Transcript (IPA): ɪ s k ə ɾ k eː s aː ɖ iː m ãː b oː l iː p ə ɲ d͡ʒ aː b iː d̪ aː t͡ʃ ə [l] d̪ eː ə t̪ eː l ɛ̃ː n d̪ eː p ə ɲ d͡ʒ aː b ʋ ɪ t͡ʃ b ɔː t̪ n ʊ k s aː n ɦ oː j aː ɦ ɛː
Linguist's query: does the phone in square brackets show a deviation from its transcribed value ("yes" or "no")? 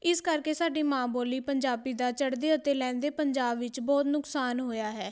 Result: yes